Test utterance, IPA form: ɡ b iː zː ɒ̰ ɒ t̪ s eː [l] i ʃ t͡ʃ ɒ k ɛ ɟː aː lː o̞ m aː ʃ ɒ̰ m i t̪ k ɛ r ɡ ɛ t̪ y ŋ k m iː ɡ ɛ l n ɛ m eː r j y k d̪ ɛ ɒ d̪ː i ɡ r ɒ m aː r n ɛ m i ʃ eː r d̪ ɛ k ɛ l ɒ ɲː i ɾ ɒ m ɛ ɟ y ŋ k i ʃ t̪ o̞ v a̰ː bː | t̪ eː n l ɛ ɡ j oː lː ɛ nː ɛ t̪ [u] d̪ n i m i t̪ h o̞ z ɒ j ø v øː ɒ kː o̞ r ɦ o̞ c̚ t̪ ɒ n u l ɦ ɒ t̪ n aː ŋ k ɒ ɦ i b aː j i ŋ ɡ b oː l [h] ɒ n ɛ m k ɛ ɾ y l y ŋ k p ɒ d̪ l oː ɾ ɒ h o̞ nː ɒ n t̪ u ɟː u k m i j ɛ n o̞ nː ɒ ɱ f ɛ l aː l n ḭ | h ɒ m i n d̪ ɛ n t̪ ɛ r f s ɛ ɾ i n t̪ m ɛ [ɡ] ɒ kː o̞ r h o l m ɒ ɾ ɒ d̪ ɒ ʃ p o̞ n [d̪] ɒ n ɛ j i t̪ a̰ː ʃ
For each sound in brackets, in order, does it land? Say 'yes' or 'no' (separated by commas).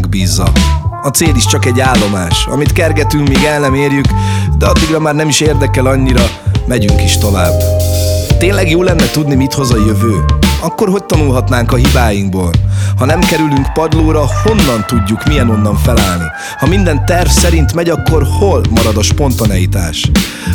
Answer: yes, yes, yes, no, no